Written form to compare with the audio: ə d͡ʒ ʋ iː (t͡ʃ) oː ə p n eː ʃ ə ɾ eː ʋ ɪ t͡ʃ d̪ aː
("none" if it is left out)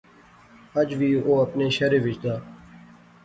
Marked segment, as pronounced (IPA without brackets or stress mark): none